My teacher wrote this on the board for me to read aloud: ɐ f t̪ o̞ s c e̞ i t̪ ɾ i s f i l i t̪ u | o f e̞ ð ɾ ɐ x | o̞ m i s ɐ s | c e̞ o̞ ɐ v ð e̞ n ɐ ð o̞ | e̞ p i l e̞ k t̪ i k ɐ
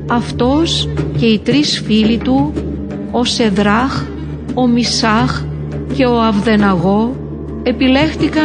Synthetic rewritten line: ɐ f t̪ o̞ s c e̞ i t̪ ɾ i s f i l i t̪ u | o s e̞ ð ɾ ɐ x | o̞ m i s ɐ x | c e̞ o̞ ɐ v ð e̞ n ɐ ɣ o̞ | e̞ p i l e̞ x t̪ i k ɐ